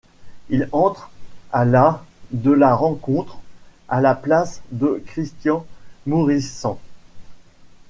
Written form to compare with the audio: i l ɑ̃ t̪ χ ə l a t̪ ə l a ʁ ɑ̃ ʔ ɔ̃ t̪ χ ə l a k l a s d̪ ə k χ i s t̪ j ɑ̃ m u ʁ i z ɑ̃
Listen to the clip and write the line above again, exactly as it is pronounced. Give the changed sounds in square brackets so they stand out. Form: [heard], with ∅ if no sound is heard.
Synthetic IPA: i l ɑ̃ t̪ χ [a] l a [d̪] ə l a ʁ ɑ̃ [k] ɔ̃ t̪ χ [a] l a [p] l a s d̪ ə k χ i s t̪ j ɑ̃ m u ʁ i [s] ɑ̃